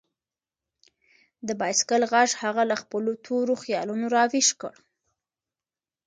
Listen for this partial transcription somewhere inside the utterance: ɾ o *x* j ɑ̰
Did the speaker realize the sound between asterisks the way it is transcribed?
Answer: yes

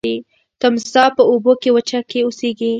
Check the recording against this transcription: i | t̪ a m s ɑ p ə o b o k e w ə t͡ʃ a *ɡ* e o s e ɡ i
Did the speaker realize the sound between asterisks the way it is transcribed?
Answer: no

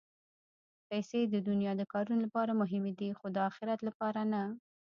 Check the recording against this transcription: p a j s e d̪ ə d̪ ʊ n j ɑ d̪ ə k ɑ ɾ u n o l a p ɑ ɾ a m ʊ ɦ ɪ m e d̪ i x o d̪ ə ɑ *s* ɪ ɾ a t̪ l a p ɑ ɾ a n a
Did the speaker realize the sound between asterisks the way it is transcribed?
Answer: no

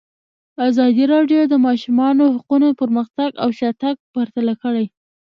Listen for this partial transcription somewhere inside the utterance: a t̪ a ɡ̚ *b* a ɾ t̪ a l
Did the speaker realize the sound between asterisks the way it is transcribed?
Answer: no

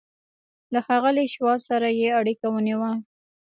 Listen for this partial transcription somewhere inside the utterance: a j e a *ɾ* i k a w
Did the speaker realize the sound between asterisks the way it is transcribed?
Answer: no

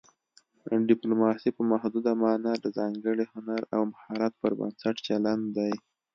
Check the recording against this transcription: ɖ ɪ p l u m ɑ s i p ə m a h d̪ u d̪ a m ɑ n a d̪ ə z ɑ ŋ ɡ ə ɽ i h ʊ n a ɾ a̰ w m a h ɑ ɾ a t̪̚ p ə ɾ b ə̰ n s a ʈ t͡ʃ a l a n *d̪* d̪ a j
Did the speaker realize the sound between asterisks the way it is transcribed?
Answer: yes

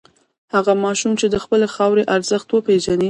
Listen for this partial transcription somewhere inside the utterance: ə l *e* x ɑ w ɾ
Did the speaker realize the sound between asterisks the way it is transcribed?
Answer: yes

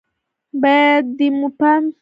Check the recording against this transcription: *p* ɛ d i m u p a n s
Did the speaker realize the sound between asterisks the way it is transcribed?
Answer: no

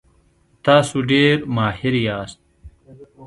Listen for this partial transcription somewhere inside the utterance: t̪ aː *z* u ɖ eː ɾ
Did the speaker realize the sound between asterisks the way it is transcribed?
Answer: no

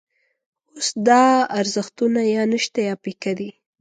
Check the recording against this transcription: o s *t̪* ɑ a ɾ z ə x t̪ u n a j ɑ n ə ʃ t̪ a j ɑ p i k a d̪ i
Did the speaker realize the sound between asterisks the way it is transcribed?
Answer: no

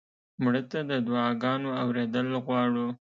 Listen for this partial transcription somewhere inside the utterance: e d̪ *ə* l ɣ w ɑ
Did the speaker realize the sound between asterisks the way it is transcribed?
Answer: yes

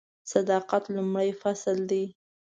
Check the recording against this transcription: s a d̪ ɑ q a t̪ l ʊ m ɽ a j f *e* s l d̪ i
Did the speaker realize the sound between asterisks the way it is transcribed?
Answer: no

